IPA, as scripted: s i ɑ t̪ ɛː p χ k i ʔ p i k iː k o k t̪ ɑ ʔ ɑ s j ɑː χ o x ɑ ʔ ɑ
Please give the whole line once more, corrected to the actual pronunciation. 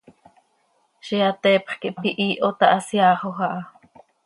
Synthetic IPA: ʃ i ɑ t̪ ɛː p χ k i ʔ p i ʔ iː ʔ o t̪ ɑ ʔ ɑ s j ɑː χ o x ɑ ʔ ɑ